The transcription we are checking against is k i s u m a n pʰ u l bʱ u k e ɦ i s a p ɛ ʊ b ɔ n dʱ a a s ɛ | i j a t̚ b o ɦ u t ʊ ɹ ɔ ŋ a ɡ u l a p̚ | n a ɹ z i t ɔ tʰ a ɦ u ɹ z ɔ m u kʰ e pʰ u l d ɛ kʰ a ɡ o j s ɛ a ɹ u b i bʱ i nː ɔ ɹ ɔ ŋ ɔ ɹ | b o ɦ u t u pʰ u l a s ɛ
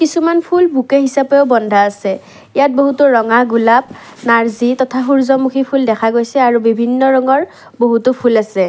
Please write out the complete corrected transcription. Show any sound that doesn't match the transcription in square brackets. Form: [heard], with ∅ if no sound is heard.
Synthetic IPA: k i s u m a n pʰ u l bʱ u k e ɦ i s a p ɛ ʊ b ɔ n dʱ a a s ɛ | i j a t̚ b o ɦ u t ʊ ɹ ɔ ŋ a ɡ u l a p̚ | n a ɹ z i t ɔ tʰ a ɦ u ɹ z ɔ m u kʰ [i] pʰ u l d ɛ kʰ a ɡ o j s ɛ a ɹ u b i bʱ i nː ɔ ɹ ɔ ŋ ɔ ɹ | b o ɦ u t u pʰ u l a s ɛ